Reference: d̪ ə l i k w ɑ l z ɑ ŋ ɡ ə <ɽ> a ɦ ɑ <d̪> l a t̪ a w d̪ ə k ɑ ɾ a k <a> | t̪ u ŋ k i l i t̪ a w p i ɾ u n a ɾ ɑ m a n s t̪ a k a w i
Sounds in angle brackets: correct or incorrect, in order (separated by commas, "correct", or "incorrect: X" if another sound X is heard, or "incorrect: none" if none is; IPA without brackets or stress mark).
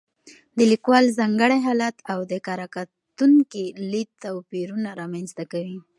correct, incorrect: none, correct